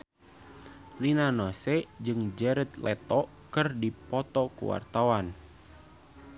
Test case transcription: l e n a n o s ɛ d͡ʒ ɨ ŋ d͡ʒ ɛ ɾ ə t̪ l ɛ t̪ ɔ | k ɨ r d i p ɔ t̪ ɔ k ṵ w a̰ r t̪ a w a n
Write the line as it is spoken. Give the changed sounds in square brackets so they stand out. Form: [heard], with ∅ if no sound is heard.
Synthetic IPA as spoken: l [i] n a n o s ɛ d͡ʒ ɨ ŋ d͡ʒ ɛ ɾ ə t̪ l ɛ t̪ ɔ | k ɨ r d i p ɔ t̪ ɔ k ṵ w a̰ r t̪ a w a n